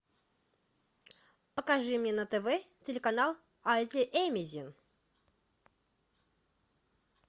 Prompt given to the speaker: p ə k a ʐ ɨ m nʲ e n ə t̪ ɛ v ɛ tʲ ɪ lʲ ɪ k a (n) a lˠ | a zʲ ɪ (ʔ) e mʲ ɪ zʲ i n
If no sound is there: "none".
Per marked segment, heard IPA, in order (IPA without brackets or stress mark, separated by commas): n, ʔ